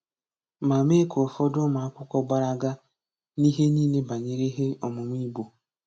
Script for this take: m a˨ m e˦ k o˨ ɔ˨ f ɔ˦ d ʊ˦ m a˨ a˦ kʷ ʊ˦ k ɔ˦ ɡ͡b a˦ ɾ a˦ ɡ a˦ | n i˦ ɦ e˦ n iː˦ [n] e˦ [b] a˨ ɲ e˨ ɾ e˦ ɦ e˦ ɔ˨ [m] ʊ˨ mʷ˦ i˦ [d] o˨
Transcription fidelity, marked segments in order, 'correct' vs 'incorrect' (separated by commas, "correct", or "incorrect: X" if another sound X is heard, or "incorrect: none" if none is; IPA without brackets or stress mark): correct, correct, correct, incorrect: b